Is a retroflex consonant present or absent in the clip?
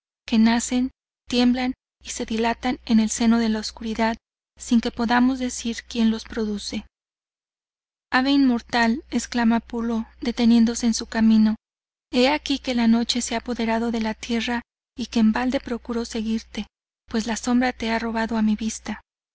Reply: absent